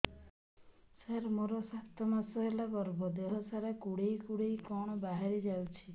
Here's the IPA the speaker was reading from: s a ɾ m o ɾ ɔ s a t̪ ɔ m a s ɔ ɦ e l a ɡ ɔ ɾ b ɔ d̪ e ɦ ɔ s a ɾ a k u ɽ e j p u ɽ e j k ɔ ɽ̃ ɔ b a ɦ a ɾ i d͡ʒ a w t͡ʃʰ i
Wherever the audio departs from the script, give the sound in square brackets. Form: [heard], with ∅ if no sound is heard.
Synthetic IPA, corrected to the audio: s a ɾ m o ɾ ɔ s a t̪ ɔ m a s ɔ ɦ e l a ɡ ɔ ɾ b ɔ d̪ e ɦ ɔ s a ɾ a k u ɽ e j [k] u ɽ e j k ɔ ɽ̃ ɔ b a ɦ a ɾ i d͡ʒ a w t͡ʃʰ i